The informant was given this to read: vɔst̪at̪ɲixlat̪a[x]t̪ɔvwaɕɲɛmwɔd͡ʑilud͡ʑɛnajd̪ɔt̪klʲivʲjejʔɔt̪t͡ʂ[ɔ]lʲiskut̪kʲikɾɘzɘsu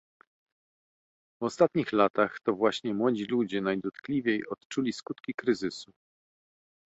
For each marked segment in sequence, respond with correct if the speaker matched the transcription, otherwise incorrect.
correct, incorrect: u

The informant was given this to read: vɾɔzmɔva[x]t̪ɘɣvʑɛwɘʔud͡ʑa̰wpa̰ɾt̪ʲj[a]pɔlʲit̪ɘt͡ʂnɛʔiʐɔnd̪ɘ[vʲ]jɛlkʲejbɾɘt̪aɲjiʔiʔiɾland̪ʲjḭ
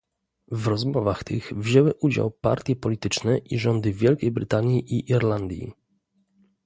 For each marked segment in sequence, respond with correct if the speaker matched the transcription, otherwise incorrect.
correct, incorrect: ɛ, correct

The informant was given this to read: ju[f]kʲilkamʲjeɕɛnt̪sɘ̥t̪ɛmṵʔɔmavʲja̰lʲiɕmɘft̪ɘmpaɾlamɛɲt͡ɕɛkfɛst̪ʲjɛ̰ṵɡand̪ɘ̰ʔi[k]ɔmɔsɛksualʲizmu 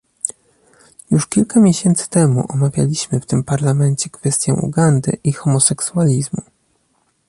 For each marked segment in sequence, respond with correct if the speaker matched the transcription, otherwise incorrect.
incorrect: ʂ, incorrect: x

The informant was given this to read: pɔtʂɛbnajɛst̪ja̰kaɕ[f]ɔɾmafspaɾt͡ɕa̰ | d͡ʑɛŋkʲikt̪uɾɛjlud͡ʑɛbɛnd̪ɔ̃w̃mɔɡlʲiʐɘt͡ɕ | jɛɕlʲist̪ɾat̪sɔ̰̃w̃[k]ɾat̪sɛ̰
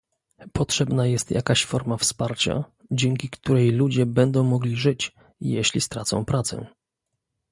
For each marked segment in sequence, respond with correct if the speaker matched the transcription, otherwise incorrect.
correct, incorrect: p

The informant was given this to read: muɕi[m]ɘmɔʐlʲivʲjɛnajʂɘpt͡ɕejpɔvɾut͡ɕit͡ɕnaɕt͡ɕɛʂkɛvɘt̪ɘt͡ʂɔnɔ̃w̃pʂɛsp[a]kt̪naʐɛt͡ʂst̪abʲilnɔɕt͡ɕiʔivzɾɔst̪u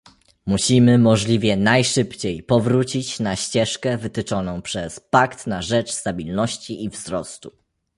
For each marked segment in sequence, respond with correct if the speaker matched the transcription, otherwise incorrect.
correct, correct

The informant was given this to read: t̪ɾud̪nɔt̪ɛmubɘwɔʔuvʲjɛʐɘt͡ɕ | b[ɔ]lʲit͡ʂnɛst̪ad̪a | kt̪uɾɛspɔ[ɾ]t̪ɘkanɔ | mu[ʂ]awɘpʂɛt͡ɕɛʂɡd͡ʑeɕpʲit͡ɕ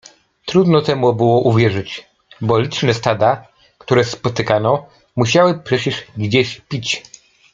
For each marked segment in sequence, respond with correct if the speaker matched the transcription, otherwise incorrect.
correct, incorrect: none, incorrect: ɕ

